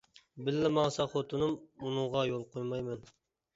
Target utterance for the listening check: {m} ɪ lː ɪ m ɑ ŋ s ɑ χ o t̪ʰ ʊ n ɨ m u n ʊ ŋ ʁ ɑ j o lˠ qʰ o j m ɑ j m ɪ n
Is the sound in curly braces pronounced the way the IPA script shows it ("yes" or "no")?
no